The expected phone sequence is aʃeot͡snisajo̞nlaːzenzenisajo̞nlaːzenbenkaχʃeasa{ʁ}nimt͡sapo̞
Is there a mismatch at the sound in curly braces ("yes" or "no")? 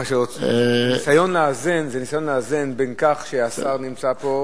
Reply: no